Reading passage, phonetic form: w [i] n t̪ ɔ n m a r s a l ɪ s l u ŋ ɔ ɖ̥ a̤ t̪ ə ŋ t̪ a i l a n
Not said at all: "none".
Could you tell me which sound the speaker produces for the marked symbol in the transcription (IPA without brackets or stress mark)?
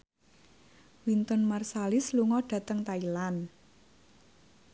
i